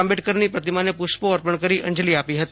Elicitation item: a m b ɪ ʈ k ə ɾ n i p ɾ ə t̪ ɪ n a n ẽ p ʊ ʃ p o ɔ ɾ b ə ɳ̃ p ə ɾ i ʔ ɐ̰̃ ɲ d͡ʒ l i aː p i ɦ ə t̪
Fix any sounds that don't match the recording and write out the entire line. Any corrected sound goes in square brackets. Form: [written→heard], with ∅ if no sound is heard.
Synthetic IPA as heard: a m b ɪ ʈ k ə ɾ n i p ɾ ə t̪ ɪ [n→m] a n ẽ p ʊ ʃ p o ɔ ɾ [b→p] ə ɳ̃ [p→k] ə ɾ i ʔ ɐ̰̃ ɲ d͡ʒ l i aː p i ɦ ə t̪

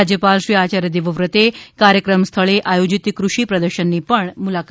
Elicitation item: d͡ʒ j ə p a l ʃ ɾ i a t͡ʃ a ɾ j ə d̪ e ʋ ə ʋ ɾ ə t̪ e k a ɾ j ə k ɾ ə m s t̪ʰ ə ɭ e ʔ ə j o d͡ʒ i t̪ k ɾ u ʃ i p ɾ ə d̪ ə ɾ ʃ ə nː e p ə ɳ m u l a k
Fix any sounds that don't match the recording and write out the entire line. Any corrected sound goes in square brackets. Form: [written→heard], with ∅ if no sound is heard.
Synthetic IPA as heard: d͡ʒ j ə p a l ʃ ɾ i a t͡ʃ a ɾ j ə d̪ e ʋ ə ʋ ɾ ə t̪ e k a ɾ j ə k ɾ ə m s t̪ʰ ə ɭ e ʔ [ə→a] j o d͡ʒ i t̪ k ɾ u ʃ i p ɾ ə d̪ ə ɾ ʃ ə nː [e→i] p ə ɳ m u l a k

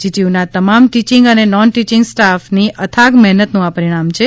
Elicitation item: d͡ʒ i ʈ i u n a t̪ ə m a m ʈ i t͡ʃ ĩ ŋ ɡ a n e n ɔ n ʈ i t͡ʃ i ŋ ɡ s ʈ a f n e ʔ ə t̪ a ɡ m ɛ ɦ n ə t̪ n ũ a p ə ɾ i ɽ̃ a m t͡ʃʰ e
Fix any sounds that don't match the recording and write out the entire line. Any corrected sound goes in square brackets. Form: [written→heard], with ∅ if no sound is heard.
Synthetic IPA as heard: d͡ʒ i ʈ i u n a t̪ ə m a m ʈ i t͡ʃ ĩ ŋ ɡ [a→ə] n e n ɔ n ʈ i t͡ʃ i ŋ ɡ s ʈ a f n [e→i] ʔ ə [t̪→t̪ʰ] a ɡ m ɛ ɦ n ə t̪ n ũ a p ə ɾ i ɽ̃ a m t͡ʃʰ e

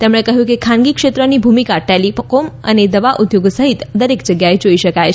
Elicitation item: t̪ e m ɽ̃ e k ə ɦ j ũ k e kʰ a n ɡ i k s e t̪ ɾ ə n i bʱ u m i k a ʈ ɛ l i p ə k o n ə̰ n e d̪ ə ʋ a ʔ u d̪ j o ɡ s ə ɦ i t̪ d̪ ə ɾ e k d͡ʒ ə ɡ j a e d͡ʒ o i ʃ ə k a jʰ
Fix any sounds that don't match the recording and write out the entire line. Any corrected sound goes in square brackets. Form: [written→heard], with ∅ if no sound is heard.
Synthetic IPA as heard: t̪ e m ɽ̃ e k ə ɦ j ũ k e kʰ a n ɡ i k [s→ʃ] e t̪ ɾ ə n i bʱ u m i k a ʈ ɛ l i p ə k o [n→m] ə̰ n e d̪ ə ʋ a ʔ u d̪ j o ɡ s ə ɦ i t̪ d̪ ə ɾ e k d͡ʒ ə ɡ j a e d͡ʒ o i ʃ ə k a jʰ

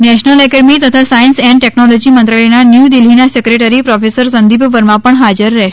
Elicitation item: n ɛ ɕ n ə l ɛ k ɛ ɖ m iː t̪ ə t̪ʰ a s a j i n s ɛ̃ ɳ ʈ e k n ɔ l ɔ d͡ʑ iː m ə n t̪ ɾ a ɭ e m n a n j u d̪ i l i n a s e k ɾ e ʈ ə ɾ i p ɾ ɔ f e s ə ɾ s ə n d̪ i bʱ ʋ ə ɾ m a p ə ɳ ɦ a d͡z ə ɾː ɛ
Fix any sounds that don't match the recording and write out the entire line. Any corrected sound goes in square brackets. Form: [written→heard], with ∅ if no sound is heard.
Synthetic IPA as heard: n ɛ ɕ n ə l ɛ k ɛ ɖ m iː t̪ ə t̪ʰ a s a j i n s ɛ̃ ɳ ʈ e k n ɔ l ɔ d͡ʑ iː m ə n t̪ ɾ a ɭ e [m→∅] n a n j u d̪ i l i n a s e k ɾ e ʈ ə ɾ i p ɾ ɔ f e s ə ɾ s ə n d̪ i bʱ ʋ ə ɾ m a p ə ɳ ɦ a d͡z ə ɾː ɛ

